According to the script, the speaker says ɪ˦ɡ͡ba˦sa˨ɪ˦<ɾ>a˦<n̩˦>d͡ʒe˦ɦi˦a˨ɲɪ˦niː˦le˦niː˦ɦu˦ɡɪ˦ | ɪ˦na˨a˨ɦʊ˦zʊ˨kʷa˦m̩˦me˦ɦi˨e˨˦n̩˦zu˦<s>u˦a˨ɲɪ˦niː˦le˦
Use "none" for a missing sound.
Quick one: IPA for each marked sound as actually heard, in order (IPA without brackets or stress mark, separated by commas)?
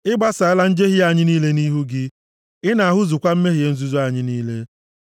l, n̩˦, z